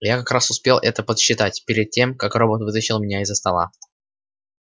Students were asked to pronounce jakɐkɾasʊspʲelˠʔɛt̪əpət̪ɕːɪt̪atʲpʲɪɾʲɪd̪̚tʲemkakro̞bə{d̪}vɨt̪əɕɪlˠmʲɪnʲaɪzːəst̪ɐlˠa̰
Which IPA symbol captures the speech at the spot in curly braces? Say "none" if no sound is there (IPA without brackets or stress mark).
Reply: t̪